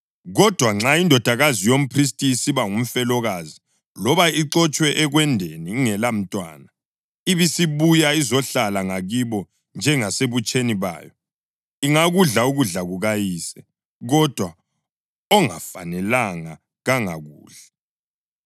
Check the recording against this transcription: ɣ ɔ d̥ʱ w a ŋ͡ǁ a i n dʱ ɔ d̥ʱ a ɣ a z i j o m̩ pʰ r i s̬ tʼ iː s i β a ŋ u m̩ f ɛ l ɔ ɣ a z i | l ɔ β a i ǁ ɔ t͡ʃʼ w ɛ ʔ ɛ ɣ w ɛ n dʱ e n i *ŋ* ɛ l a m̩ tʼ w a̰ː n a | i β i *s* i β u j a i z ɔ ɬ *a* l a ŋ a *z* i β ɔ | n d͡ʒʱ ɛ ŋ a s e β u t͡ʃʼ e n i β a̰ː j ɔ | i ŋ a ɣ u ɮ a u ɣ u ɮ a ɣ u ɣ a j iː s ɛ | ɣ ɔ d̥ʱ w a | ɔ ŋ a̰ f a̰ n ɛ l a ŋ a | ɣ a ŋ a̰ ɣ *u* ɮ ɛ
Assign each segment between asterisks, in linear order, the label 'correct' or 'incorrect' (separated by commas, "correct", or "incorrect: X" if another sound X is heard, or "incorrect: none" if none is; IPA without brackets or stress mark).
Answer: correct, correct, correct, incorrect: ɣ, incorrect: uː